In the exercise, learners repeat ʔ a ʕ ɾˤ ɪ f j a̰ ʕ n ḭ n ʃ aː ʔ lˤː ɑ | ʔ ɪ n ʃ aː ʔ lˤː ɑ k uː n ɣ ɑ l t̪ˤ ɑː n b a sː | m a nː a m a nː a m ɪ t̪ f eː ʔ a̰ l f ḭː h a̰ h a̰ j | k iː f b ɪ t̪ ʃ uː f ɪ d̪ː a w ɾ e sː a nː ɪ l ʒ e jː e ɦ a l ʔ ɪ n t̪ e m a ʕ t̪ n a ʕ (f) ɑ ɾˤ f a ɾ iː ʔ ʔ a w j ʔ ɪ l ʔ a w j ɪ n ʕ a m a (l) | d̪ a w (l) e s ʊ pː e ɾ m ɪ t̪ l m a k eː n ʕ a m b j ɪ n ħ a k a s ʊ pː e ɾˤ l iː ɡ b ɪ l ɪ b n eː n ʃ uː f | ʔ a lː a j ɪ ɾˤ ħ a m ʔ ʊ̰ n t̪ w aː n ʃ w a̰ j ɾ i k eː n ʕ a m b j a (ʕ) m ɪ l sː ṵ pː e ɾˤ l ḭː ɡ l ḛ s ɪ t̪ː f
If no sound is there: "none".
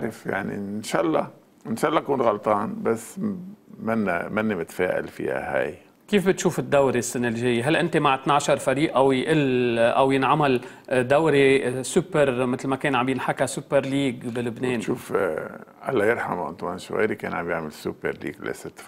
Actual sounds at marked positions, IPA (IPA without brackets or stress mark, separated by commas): ʃ, l, ɾ, ʕ